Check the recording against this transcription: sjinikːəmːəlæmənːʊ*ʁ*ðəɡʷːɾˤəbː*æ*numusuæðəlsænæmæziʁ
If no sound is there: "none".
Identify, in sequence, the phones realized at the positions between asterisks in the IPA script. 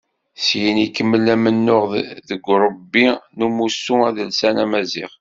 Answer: ʁ, i

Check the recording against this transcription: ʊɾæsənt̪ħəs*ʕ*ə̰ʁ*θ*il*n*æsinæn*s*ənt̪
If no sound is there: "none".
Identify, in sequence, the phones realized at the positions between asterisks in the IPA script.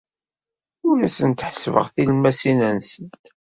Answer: v, θ, m, s

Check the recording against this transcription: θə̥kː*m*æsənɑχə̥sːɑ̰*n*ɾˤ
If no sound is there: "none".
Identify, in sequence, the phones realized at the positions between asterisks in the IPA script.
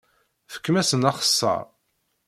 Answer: m, none

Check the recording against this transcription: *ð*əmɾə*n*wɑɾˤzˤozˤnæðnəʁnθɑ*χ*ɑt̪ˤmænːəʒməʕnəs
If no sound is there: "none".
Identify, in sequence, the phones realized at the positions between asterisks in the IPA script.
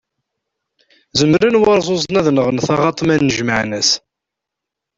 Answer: z, n, ʁ

